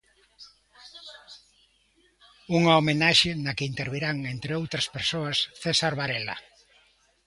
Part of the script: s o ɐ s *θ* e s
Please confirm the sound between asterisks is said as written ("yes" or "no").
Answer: yes